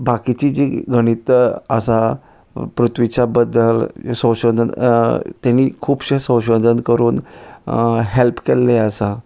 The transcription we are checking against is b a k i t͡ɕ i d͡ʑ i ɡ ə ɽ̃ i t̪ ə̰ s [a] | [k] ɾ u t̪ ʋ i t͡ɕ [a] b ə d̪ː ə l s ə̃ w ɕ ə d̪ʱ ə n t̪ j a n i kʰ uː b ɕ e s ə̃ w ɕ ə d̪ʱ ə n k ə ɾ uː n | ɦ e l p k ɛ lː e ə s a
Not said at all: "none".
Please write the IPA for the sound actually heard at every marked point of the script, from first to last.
a, p, a

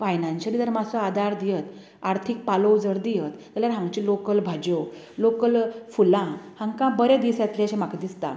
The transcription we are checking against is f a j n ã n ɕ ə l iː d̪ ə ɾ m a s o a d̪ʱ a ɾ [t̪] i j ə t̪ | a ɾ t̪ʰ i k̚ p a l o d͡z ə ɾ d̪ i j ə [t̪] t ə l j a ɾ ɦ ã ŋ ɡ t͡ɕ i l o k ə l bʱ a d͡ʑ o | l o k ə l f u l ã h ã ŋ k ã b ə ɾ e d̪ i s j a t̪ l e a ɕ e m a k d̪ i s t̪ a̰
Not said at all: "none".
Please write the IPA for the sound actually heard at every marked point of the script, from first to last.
d̪, t̪

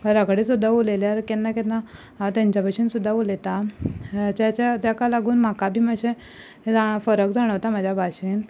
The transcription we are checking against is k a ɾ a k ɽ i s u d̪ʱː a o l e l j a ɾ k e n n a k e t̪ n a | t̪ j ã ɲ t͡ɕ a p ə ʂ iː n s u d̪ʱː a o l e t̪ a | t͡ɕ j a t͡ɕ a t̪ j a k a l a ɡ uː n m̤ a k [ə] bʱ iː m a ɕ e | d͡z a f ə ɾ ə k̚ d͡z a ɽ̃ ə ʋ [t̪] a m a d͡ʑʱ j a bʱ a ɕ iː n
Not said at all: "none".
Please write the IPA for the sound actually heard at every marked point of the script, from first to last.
a, t̪

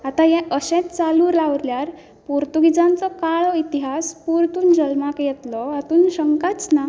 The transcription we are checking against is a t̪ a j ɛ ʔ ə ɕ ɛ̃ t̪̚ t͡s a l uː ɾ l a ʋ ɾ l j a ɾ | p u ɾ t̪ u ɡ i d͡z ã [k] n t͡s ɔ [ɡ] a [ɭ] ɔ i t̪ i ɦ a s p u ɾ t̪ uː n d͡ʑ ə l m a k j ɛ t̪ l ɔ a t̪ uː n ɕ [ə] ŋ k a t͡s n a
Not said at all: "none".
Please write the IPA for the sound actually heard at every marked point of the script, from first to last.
none, k, ɭ, ə

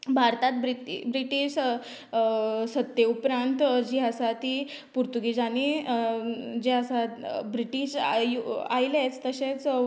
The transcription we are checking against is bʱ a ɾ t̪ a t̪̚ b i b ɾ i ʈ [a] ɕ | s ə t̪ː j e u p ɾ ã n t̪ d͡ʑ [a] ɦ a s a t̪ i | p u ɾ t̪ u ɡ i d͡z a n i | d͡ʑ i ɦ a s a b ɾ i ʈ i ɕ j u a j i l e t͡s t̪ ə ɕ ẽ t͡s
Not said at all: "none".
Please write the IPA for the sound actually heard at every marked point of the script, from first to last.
i, i

